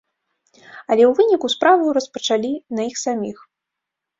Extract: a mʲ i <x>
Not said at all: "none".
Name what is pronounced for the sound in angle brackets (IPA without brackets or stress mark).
x